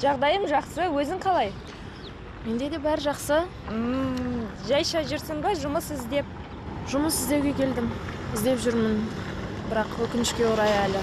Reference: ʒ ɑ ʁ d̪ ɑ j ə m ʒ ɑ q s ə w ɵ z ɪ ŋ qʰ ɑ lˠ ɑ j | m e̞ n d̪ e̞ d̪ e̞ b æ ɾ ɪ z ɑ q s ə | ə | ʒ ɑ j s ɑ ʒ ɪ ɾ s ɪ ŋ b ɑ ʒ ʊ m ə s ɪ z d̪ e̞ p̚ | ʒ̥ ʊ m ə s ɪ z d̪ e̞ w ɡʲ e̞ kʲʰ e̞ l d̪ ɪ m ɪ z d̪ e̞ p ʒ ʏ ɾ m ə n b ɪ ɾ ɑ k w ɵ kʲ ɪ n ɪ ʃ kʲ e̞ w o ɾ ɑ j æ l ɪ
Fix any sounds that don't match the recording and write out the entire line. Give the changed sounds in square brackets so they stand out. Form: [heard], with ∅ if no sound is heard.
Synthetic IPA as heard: ʒ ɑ ʁ d̪ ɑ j ə m ʒ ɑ q s ə w ɵ z ɪ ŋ qʰ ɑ lˠ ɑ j | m e̞ n d̪ e̞ d̪ e̞ b æ ɾ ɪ [ʒ] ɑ q s ə | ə | ʒ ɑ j [ʃ] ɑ ʒ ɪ ɾ s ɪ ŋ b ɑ ʒ ʊ m ə s ɪ z d̪ e̞ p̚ | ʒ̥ ʊ m ə s ɪ z d̪ e̞ w ɡʲ e̞ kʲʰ e̞ l d̪ ɪ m ɪ z d̪ e̞ p ʒ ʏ ɾ m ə n b ɪ ɾ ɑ [q] w ɵ kʲ ɪ n ɪ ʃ kʲ e̞ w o ɾ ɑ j æ l ɪ